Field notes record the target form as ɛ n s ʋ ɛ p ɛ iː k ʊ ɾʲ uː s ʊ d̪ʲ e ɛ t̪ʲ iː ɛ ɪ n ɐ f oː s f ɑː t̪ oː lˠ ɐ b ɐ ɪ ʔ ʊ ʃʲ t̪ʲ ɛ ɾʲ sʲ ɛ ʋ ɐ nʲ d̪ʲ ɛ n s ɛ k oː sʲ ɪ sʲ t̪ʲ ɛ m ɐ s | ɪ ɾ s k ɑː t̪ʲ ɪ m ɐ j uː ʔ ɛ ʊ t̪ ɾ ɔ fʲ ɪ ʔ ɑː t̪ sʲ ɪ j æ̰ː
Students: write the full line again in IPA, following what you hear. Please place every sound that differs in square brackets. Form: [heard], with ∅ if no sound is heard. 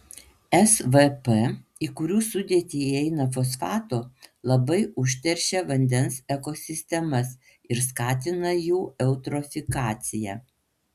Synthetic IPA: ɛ [∅] s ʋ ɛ p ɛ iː k ʊ ɾʲ uː s ʊ d̪ʲ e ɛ t̪ʲ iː ɛ ɪ n ɐ f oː s f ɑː t̪ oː lˠ ɐ b ɐ ɪ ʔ ʊ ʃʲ t̪ʲ ɛ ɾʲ [ʃʲ] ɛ ʋ ɐ nʲ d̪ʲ ɛ n s ɛ k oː sʲ ɪ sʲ t̪ʲ ɛ m ɐ s | ɪ ɾ s k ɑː t̪ʲ ɪ [n] ɐ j uː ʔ ɛ ʊ t̪ ɾ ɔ fʲ ɪ [k] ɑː t̪ sʲ ɪ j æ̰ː